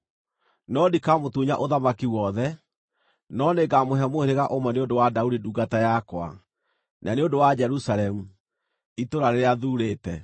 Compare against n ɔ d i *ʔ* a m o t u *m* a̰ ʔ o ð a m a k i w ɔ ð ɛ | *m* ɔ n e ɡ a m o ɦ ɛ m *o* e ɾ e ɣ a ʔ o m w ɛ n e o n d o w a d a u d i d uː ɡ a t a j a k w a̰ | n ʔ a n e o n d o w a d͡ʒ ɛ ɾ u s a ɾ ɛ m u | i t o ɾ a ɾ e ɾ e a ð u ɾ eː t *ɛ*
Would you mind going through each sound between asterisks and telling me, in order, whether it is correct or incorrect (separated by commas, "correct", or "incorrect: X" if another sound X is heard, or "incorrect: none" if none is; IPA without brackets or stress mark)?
incorrect: k, incorrect: ɲ, incorrect: n, correct, correct